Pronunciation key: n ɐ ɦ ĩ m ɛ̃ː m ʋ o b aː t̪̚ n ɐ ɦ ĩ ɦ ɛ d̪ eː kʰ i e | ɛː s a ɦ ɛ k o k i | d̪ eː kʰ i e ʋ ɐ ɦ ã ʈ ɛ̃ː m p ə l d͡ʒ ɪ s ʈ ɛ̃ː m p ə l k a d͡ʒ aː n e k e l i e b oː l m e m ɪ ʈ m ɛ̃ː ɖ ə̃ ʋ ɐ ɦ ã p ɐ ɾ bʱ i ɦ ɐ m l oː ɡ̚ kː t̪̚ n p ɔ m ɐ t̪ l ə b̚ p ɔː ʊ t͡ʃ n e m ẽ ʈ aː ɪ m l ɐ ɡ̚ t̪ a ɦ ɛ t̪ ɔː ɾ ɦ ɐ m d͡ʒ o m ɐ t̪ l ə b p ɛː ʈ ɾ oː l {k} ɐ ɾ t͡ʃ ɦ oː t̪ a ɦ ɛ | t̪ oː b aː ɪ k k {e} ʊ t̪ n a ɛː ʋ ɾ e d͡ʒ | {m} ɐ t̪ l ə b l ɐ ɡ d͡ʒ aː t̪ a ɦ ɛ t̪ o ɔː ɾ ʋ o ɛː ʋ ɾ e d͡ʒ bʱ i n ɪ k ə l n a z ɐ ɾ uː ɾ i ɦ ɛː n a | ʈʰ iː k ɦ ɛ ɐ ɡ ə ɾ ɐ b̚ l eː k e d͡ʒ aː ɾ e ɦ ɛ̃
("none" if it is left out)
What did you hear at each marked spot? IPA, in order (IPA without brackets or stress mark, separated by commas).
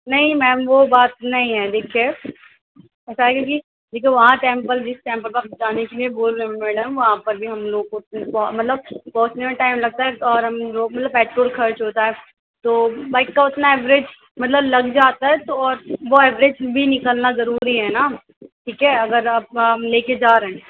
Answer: kʰ, a, m